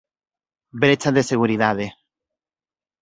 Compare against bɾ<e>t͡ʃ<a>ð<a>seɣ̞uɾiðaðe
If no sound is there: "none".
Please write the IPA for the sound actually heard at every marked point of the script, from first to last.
e, a, e

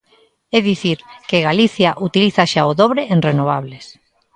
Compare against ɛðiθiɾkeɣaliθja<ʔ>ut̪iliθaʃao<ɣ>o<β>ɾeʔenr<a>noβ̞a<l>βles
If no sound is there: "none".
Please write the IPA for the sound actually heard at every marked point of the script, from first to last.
ʔ, ð, β, e, none

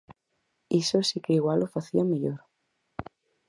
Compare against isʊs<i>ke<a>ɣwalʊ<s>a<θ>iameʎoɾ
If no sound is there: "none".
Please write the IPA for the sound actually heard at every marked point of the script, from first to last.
i, i, f, θ

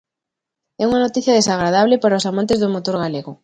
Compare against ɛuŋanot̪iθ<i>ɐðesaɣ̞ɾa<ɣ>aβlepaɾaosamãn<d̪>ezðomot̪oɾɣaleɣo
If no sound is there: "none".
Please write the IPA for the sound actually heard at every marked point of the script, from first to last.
j, ð, t̪

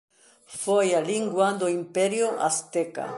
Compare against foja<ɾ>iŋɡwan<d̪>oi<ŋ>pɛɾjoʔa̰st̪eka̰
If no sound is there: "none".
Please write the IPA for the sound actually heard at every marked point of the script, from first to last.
l, d̪, m

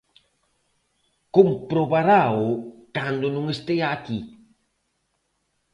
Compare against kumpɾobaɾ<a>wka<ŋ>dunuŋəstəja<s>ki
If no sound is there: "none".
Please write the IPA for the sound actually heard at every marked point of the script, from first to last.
a, n, none

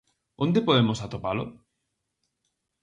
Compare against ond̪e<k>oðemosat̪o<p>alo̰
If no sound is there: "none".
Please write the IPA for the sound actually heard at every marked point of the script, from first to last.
p, p

